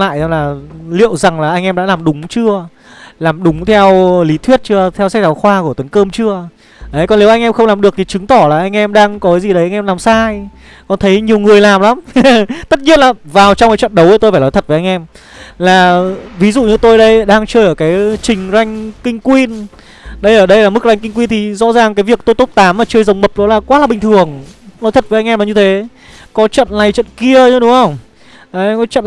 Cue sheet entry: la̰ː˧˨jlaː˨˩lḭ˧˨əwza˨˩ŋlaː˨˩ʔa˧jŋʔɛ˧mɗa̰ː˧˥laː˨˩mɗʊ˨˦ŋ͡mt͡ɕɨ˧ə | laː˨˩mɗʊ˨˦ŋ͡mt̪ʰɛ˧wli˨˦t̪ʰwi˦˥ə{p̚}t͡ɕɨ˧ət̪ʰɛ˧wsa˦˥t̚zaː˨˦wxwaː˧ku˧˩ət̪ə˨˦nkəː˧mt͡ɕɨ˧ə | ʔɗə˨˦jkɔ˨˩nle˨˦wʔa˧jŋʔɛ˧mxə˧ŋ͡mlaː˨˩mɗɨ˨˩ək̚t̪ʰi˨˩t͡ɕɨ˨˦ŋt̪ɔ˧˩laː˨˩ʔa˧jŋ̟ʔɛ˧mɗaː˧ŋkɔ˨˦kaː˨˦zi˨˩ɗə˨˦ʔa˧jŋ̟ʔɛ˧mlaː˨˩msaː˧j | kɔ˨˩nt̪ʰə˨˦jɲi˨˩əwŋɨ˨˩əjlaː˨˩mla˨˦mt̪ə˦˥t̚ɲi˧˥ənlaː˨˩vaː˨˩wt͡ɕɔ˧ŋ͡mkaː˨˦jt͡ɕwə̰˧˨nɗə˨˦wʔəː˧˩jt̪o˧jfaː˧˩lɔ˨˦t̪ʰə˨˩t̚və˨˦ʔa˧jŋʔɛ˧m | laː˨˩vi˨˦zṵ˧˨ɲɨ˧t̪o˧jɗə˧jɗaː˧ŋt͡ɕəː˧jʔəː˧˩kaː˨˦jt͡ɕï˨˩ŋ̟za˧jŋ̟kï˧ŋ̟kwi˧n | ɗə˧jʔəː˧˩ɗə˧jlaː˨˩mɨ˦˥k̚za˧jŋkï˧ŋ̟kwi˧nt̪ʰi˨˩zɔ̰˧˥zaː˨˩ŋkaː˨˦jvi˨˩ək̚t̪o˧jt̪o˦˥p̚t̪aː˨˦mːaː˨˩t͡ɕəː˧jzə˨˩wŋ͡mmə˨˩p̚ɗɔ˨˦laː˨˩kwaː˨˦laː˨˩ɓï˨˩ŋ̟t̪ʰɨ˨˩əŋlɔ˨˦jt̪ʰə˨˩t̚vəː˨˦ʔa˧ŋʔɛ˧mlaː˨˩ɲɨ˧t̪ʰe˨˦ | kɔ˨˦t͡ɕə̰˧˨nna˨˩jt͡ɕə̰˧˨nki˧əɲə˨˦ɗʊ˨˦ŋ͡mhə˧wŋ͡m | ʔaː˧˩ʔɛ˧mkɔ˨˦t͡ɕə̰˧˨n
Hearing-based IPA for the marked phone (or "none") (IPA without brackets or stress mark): t̚